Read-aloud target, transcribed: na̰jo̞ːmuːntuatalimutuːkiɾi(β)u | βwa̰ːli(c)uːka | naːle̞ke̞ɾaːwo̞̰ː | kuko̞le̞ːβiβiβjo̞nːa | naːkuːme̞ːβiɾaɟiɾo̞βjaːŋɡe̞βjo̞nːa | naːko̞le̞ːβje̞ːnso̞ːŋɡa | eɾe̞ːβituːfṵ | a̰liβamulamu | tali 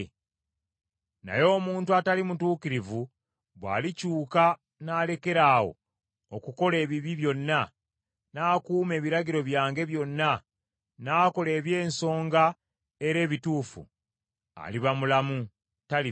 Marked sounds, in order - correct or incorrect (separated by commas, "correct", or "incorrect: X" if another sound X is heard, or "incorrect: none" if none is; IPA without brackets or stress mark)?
incorrect: v, correct